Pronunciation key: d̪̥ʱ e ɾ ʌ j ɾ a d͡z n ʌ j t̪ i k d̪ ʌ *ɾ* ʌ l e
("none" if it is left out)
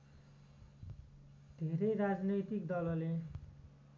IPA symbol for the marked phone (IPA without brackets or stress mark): l